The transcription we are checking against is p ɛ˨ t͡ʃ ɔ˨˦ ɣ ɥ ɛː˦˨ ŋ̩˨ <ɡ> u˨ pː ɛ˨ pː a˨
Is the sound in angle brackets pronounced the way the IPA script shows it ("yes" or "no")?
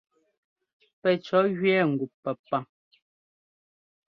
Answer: yes